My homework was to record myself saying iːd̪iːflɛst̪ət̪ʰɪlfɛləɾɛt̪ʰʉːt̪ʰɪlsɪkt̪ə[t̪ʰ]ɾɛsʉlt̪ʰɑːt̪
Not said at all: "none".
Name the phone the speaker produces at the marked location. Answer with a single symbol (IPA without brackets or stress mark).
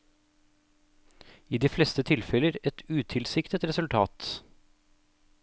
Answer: t̪